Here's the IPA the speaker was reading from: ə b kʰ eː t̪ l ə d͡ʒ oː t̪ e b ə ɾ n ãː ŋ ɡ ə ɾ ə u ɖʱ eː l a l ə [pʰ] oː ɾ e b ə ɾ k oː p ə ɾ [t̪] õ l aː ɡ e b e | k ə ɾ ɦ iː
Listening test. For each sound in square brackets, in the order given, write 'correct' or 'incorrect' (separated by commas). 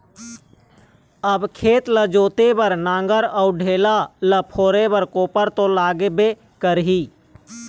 correct, correct